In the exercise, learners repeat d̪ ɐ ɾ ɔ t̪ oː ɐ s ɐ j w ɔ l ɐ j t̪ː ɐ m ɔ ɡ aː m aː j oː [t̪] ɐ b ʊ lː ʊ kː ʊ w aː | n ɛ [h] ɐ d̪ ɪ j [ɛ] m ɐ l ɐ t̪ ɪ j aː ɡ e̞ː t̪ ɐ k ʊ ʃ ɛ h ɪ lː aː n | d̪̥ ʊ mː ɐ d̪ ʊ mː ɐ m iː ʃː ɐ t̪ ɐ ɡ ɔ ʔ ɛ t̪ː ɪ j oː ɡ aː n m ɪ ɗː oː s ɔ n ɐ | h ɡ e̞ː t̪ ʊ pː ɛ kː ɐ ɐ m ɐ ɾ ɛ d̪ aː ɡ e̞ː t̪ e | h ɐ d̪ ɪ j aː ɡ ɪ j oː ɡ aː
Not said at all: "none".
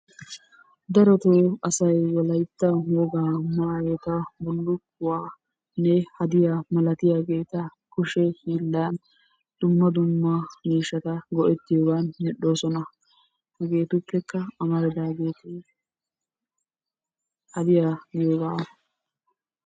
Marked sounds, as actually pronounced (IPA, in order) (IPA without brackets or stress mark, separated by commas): t̪, h, a